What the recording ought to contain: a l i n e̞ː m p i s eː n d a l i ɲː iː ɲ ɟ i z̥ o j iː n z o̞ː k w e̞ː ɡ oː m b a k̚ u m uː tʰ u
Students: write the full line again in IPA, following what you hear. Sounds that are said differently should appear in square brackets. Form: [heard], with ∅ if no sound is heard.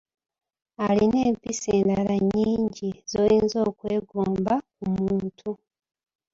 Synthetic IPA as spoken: a l i n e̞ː m p i s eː n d a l [a] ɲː iː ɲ ɟ i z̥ o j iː n z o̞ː k w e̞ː ɡ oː m b a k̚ u m uː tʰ u